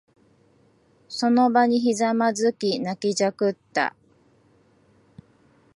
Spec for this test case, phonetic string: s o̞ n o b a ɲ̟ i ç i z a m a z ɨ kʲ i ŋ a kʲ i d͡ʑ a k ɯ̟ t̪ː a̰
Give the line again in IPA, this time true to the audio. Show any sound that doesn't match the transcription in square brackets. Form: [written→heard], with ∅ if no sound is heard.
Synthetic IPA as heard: s o̞ n o b a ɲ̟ i ç i z a m a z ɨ kʲ i [ŋ→n] a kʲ i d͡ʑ a k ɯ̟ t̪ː a̰